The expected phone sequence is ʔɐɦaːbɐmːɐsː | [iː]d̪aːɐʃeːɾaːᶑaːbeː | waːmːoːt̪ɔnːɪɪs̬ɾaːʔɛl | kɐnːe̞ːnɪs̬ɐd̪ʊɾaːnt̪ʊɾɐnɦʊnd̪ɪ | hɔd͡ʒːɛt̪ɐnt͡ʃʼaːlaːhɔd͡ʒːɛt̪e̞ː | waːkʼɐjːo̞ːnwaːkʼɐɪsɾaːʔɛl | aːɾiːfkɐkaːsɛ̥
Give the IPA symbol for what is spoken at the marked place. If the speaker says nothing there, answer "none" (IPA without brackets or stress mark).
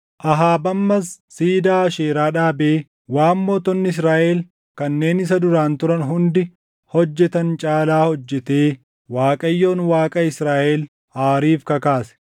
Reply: iː